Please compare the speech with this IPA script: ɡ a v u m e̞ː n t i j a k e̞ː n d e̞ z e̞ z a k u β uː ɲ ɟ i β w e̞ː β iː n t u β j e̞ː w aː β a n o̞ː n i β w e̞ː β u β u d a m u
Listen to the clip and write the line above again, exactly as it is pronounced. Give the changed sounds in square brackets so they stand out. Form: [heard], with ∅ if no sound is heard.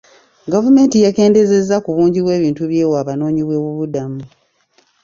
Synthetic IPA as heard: ɡ a v u m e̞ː n t i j a k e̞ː n d e̞ z e̞ z a k u β uː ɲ ɟ i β w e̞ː β iː n t u β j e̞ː w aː β a n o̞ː [ɲ] i β w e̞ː β u β u d a m u